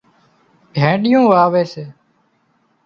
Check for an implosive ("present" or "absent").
present